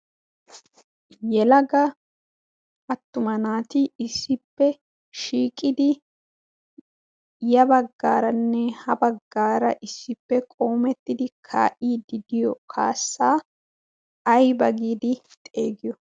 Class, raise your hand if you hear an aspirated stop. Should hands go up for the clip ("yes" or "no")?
yes